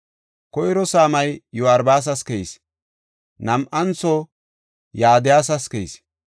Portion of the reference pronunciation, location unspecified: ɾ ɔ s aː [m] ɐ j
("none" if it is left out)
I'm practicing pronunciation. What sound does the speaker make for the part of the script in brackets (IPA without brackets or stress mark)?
m